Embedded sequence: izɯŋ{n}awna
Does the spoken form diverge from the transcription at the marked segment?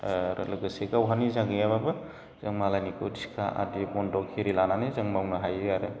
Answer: yes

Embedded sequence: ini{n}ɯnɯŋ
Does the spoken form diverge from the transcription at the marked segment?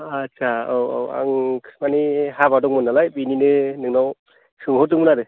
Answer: no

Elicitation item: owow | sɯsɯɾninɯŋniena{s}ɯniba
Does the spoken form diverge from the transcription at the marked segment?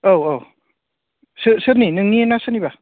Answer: no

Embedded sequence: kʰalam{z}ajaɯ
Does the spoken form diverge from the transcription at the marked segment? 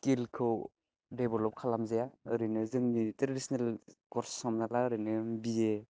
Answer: no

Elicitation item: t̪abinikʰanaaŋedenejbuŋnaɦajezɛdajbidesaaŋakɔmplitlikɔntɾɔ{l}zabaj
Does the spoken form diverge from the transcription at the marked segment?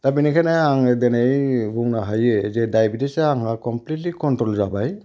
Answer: no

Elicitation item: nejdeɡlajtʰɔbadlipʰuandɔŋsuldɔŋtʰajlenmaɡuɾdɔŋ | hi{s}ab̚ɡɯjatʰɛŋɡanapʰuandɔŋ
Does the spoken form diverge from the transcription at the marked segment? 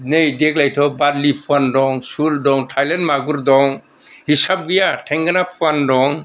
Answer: no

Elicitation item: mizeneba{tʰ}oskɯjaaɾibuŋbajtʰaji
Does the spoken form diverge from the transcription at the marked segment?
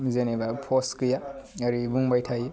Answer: yes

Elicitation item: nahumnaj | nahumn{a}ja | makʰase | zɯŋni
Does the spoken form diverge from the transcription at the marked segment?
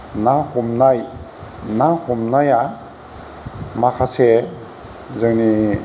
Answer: no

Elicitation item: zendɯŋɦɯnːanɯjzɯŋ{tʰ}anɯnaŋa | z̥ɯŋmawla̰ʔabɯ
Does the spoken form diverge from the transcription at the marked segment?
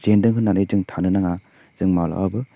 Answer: no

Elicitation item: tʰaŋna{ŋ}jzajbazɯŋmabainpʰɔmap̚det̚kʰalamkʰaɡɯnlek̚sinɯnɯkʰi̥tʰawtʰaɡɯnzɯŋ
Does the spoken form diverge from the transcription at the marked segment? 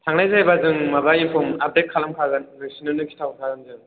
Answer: yes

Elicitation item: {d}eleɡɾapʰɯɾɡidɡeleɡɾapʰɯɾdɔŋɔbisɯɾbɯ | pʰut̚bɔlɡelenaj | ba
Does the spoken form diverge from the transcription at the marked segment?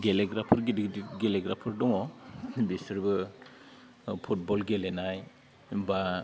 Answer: yes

